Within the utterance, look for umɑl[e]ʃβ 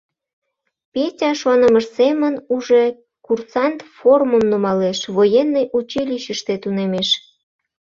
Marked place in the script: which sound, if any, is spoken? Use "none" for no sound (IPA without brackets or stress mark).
e